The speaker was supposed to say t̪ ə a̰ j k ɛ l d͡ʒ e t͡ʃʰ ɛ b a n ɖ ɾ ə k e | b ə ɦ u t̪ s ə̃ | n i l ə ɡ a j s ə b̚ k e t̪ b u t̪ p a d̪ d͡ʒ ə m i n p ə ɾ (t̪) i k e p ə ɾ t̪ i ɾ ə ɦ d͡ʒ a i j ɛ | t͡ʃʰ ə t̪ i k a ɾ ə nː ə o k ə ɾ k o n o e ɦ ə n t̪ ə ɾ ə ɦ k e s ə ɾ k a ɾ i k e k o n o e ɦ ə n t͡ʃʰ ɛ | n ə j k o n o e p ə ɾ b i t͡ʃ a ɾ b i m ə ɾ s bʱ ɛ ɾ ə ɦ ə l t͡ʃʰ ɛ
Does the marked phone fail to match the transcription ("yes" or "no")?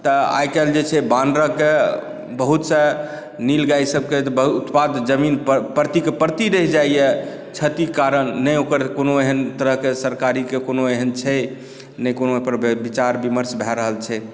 no